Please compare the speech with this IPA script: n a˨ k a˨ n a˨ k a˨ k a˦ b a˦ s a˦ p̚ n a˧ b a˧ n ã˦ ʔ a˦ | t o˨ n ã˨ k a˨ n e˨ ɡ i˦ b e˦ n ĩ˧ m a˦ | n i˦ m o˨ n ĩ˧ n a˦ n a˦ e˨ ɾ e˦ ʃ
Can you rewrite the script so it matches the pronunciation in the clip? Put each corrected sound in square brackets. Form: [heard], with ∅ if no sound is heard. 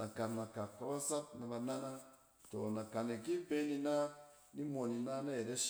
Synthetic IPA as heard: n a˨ k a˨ n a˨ k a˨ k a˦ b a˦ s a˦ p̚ n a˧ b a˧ n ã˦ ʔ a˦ | t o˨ n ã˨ k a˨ n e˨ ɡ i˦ b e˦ n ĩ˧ [n] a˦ | n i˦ m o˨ n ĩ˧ n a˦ n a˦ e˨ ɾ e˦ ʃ